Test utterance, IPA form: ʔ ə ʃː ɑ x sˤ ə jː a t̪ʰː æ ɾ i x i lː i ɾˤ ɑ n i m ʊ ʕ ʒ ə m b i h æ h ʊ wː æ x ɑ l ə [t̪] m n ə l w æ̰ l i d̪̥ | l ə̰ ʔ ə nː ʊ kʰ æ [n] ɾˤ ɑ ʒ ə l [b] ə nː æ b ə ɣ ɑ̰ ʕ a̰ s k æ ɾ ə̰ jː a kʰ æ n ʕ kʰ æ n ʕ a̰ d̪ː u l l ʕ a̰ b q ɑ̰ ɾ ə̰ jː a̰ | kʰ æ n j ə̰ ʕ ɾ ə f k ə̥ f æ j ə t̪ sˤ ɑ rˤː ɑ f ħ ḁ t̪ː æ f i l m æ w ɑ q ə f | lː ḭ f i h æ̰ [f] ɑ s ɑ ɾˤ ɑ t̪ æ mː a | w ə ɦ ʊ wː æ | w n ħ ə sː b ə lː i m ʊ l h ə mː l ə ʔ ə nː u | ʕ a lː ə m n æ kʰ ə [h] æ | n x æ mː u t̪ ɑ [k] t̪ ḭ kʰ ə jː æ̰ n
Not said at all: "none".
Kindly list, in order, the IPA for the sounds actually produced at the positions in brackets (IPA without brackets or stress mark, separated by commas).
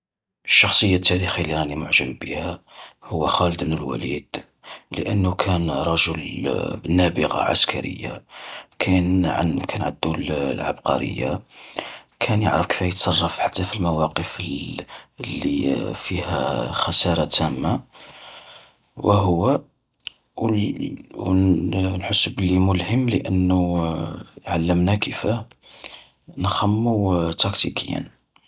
d̪, n, b, x, f, k